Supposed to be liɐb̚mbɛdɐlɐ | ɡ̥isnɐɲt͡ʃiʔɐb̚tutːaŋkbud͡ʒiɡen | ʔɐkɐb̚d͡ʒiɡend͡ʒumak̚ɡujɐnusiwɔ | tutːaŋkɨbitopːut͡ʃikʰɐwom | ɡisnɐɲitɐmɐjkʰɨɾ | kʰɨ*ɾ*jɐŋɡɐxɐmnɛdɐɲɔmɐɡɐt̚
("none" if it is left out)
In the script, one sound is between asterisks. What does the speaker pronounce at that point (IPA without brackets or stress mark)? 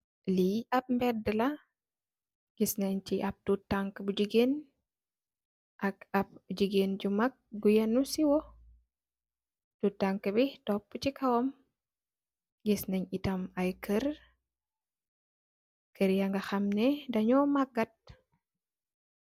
ɾ